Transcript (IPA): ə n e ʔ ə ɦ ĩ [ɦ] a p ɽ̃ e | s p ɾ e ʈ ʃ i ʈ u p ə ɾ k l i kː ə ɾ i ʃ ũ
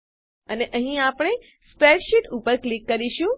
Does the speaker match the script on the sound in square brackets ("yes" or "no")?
no